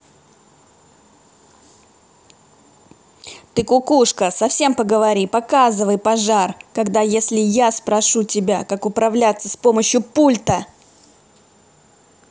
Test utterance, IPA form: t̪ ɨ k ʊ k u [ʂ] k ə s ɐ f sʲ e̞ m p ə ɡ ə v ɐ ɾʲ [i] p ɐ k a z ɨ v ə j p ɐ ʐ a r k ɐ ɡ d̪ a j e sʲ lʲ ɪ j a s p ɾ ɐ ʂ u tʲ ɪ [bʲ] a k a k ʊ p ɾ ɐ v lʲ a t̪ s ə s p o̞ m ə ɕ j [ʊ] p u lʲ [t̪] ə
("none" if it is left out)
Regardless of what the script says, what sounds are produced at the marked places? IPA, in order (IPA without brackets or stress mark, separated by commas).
ʂ, i, bʲ, ʊ, t̪